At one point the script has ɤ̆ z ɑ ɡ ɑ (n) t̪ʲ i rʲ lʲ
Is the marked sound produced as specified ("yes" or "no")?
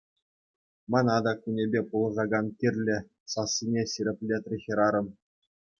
yes